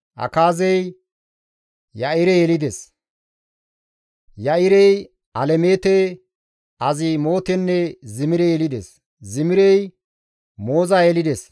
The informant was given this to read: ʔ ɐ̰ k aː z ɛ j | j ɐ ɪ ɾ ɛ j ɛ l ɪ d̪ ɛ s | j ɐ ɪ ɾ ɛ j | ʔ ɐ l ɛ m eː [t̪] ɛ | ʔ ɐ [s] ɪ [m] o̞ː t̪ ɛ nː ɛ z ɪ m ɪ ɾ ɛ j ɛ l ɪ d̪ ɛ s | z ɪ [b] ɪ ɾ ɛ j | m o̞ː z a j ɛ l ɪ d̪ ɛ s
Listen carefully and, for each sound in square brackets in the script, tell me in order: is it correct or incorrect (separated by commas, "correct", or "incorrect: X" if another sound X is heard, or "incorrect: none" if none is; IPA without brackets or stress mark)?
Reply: correct, incorrect: z, correct, incorrect: m